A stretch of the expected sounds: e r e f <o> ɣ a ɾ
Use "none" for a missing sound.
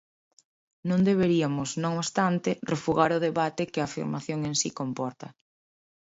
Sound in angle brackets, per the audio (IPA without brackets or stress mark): u